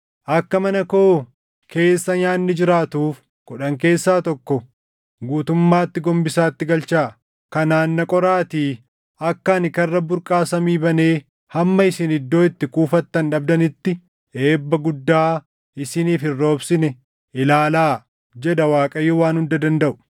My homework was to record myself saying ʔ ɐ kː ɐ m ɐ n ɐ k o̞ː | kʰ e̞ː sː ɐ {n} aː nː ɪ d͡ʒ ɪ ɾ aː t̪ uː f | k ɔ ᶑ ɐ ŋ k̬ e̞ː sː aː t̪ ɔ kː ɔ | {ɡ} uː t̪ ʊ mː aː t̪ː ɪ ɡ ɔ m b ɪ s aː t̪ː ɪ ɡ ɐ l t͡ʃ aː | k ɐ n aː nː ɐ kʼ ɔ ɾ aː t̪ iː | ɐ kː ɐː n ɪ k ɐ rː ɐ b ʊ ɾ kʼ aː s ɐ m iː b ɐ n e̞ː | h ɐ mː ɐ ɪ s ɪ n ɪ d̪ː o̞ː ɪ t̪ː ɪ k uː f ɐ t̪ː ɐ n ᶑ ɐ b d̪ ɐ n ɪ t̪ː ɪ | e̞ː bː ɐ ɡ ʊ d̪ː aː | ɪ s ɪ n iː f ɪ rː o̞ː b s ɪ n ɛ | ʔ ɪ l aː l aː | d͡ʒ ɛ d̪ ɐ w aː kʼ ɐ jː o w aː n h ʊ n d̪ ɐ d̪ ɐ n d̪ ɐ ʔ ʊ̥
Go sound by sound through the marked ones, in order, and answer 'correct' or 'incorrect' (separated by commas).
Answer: incorrect, correct